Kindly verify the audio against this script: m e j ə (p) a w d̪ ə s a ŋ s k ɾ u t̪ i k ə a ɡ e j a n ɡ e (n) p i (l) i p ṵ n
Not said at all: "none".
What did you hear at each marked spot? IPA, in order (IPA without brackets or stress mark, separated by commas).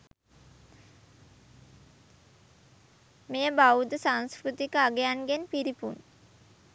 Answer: b, n, ɾ